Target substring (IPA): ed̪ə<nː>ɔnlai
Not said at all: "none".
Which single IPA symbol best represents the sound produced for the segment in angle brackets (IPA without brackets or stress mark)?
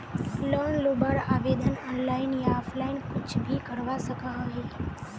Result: n